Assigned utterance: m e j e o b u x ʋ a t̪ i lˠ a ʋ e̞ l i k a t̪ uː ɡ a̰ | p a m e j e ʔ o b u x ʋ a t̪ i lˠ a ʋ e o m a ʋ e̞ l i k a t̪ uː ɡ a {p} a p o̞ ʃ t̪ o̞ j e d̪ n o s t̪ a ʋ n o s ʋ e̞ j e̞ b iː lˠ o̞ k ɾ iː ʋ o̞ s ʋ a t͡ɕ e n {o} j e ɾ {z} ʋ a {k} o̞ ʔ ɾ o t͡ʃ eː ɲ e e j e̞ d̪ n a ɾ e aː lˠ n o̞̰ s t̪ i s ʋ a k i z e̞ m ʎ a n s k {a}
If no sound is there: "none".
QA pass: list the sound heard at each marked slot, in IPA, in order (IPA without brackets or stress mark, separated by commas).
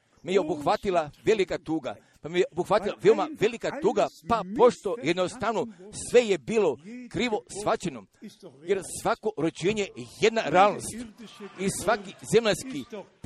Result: p, o, s, k, i